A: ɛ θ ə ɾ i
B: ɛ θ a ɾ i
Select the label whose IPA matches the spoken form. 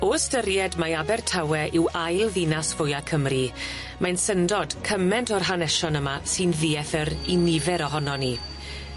A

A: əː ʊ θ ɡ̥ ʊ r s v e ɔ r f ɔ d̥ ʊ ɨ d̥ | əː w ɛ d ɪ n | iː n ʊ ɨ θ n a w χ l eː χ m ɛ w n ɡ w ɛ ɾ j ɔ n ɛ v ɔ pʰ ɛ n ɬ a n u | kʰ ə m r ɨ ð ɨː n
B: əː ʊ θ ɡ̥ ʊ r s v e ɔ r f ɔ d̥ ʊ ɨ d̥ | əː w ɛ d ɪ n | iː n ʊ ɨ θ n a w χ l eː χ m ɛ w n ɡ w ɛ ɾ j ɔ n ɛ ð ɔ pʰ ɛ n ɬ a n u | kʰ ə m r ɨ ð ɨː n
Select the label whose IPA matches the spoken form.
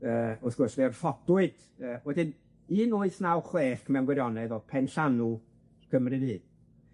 B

